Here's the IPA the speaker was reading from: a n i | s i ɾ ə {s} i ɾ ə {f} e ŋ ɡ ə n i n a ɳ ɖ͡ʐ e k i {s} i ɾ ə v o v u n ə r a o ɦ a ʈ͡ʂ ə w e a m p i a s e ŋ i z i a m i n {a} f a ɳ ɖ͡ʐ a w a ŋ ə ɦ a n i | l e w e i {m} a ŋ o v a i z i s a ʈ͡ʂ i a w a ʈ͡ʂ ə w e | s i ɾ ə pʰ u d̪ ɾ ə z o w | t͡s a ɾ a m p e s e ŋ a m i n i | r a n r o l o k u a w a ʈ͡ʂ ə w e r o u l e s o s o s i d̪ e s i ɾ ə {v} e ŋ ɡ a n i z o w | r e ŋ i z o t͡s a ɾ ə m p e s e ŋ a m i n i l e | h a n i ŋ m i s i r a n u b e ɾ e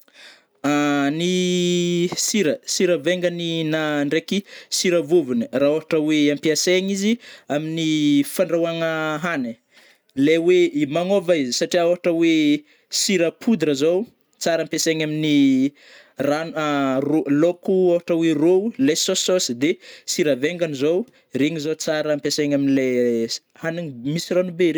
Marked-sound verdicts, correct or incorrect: correct, incorrect: v, correct, incorrect: i, correct, correct

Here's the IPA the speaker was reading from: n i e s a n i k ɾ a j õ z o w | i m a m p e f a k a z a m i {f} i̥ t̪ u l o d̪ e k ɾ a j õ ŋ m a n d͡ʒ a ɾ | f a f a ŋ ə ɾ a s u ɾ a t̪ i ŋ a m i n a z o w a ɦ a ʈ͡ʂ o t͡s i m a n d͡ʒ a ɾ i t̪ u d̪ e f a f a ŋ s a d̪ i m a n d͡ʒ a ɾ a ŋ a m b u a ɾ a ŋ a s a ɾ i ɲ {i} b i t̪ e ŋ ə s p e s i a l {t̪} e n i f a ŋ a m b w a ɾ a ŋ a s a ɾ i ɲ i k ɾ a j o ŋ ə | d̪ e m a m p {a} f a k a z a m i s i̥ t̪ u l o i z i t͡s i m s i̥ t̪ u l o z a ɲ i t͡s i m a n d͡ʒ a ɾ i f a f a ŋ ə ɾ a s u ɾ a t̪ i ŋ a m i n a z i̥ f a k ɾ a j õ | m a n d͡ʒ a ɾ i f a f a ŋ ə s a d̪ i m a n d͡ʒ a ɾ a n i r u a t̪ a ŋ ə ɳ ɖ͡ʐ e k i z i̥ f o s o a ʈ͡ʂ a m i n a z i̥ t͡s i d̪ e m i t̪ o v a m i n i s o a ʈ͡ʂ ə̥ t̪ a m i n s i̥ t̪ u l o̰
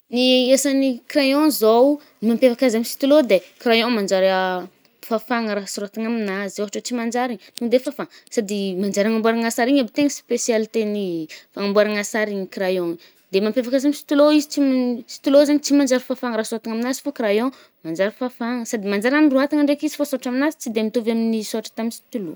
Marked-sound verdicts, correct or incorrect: incorrect: s, incorrect: a, correct, incorrect: e

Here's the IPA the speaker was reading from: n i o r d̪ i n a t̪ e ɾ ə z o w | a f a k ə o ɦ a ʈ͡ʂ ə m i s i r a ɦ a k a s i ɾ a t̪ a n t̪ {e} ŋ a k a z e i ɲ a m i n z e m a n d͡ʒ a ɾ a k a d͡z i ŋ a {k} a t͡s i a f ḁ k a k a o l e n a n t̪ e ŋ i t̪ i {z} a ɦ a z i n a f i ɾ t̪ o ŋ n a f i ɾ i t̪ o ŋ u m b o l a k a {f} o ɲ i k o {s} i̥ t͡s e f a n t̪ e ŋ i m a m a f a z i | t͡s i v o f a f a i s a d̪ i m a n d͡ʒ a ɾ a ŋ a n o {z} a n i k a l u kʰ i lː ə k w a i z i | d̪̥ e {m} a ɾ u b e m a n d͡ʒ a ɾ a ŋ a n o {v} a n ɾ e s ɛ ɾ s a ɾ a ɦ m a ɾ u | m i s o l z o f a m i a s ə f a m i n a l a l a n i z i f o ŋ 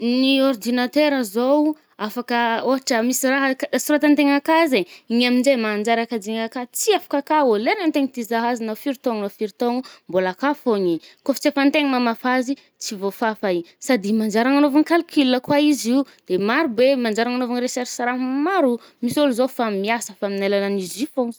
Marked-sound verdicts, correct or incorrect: correct, correct, correct, correct, incorrect: f, incorrect: v, correct, correct

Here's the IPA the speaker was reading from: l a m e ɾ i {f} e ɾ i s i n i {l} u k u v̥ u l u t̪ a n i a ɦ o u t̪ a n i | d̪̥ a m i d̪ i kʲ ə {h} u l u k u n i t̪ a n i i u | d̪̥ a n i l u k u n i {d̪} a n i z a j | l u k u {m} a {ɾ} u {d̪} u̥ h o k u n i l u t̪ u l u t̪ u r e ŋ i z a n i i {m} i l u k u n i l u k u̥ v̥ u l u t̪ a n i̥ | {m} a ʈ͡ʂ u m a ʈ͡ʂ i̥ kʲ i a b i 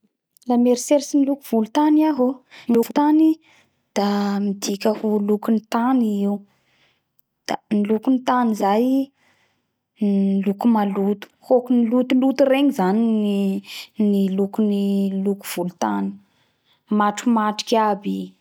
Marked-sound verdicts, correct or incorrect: incorrect: s, correct, correct, incorrect: t̪, correct, incorrect: l, incorrect: t̪, incorrect: n, correct

